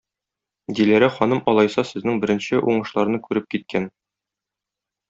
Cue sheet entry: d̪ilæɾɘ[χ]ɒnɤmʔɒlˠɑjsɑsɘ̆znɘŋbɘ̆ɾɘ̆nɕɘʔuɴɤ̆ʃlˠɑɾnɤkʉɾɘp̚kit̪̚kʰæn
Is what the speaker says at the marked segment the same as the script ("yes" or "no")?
yes